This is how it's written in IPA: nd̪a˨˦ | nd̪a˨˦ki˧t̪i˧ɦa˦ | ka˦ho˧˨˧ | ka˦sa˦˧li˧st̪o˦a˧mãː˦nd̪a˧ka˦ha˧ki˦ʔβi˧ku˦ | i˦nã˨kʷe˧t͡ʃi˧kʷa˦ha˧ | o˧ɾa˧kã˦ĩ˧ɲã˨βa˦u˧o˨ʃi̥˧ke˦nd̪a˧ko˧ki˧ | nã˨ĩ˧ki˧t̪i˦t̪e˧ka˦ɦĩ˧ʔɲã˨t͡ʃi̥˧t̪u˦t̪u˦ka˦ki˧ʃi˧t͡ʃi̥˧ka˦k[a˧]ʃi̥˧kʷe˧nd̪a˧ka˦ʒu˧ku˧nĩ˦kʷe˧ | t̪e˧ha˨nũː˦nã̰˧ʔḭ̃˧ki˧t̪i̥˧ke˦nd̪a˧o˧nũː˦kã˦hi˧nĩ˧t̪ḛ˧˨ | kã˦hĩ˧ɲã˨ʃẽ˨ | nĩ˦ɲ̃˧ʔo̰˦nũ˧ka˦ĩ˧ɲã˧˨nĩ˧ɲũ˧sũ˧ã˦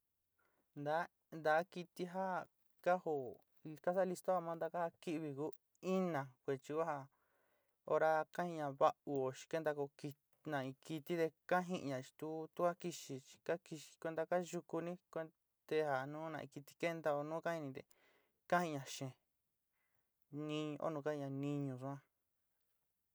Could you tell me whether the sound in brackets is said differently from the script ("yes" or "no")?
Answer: yes